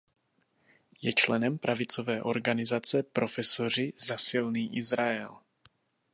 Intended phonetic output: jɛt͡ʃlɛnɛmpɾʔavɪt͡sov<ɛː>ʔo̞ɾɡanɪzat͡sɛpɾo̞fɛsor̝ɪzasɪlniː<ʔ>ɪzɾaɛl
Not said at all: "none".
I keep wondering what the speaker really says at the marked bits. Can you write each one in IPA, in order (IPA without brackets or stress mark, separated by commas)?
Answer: ɛː, ʔ